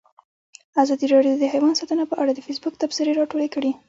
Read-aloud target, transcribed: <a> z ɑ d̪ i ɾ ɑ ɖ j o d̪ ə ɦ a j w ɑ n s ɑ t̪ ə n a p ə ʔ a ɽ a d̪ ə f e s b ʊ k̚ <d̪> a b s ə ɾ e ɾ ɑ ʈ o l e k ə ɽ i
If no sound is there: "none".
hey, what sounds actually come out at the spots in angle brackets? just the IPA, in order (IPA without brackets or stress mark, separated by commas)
a, t̪